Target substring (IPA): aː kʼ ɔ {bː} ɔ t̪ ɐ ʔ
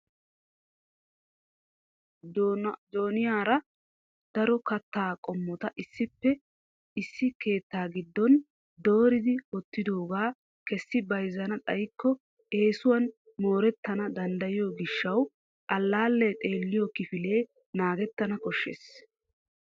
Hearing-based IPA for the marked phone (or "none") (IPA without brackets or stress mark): mː